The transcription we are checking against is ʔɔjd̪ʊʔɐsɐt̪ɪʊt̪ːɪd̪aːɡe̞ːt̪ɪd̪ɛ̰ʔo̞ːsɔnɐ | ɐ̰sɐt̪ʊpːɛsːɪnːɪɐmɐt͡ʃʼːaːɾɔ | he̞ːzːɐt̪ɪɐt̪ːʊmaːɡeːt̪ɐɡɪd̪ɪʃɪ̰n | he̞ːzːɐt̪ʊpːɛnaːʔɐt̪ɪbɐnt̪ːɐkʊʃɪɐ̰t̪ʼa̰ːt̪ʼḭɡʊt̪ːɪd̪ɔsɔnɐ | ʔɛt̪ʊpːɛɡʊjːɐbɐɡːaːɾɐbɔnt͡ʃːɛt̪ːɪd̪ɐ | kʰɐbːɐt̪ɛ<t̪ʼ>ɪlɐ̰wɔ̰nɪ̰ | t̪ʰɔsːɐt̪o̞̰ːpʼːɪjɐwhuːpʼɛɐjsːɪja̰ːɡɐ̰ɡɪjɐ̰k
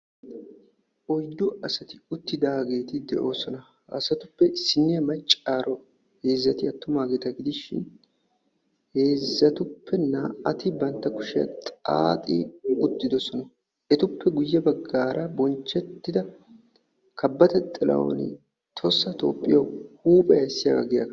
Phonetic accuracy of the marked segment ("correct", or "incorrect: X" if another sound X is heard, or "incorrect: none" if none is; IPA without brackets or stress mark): correct